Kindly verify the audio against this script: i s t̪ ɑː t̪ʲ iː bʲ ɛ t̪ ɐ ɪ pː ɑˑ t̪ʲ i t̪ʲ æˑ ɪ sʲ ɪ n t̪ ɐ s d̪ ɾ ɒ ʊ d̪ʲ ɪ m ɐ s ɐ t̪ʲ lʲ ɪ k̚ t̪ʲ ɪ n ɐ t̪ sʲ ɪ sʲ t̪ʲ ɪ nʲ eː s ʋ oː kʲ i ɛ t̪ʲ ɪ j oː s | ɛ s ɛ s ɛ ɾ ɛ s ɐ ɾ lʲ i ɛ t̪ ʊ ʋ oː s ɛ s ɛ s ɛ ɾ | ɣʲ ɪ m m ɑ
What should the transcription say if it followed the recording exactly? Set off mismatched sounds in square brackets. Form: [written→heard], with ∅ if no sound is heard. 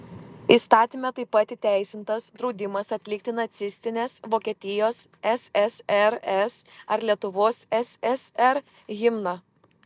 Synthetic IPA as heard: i s t̪ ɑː t̪ʲ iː [bʲ→mʲ] ɛ t̪ ɐ ɪ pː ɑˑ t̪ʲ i t̪ʲ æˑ ɪ sʲ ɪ n t̪ ɐ s d̪ ɾ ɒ ʊ d̪ʲ ɪ m ɐ s ɐ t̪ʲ lʲ ɪ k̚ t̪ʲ ɪ n ɐ t̪ sʲ ɪ sʲ t̪ʲ ɪ nʲ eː s ʋ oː kʲ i ɛ t̪ʲ ɪ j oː s | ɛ s ɛ s ɛ ɾ ɛ s ɐ ɾ lʲ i ɛ t̪ ʊ ʋ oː s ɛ s ɛ s ɛ ɾ | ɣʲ ɪ m [m→n] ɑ